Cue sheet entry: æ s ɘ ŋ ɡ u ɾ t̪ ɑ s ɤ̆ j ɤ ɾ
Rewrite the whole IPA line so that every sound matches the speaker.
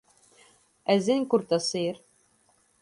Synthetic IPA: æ z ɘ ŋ k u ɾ t̪ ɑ s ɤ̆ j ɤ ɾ